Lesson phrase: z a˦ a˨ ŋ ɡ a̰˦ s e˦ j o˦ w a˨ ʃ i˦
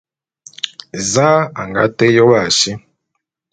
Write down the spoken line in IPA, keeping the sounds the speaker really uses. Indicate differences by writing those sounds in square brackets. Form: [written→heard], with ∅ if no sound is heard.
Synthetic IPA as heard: z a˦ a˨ ŋ ɡ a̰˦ [s→t] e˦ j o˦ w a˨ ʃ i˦